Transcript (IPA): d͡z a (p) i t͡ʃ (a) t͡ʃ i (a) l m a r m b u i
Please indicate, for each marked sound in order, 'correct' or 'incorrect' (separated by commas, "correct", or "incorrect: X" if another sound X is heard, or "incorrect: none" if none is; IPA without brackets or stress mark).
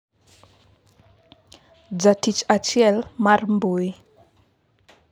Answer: incorrect: t, correct, incorrect: ɛ